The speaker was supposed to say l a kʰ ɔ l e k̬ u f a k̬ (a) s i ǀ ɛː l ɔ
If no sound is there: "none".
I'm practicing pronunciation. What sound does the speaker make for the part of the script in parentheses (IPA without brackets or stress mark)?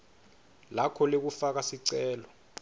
a